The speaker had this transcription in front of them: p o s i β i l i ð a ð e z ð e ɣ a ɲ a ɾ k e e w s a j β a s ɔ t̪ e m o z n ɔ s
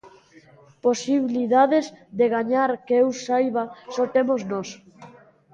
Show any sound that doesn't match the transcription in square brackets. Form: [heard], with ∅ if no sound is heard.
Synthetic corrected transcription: p o s i β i l i ð a ð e z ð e ɣ a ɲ a ɾ k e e w s a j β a s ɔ t̪ e m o z n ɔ s